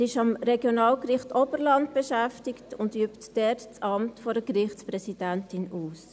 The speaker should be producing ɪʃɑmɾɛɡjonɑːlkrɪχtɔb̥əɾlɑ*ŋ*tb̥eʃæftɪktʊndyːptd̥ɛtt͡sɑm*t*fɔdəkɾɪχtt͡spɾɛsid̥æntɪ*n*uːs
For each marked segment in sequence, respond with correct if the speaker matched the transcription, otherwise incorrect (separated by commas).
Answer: incorrect, correct, correct